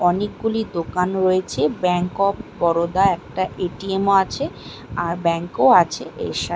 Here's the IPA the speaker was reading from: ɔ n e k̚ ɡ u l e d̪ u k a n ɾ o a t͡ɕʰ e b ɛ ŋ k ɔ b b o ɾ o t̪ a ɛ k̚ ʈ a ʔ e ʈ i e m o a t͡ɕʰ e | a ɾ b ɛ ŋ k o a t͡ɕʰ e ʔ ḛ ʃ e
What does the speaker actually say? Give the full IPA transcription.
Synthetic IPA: ɔ n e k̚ ɡ u l i d̪ o k a n ɾ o e t͡ɕʰ e b ɛ ŋ k ɔ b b ɔ ɾ o d̪ a ɛ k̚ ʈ a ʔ e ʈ i e m o a t͡ɕʰ e | a ɾ b ɛ ŋ k o a t͡ɕʰ e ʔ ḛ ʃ a